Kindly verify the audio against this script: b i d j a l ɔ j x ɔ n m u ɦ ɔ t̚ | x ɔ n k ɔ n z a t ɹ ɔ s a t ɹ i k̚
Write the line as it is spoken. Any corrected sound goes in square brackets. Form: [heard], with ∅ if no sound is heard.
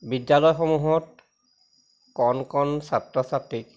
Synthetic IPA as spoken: b i d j a l ɔ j x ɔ [∅] m u ɦ ɔ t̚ | [k] ɔ n k ɔ n [s] a t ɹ ɔ s a t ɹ i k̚